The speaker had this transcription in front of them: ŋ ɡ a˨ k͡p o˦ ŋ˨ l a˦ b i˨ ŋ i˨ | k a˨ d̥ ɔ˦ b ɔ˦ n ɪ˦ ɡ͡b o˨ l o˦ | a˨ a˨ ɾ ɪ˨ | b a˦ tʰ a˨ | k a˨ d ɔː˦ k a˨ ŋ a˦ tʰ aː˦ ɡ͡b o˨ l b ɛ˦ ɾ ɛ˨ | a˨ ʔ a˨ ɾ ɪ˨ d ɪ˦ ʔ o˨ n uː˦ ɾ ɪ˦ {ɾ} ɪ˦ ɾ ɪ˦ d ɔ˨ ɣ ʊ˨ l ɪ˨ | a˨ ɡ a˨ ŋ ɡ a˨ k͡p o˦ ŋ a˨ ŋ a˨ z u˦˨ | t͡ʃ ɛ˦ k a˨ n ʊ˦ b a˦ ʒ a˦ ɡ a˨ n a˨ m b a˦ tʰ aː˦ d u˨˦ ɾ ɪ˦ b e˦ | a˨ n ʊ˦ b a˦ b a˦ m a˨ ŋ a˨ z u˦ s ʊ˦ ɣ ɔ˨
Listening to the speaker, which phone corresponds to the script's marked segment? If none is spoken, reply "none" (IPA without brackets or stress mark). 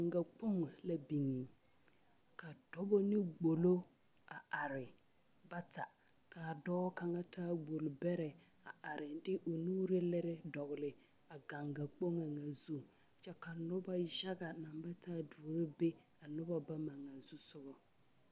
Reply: l